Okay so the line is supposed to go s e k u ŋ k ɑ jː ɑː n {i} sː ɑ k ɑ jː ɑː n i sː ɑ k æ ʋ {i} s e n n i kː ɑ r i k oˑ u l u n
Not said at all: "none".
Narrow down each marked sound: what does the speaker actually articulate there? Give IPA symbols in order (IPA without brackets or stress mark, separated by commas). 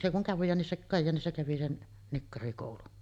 i, i